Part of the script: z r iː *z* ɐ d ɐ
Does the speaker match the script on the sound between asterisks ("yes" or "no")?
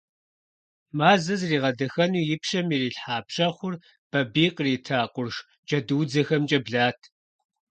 no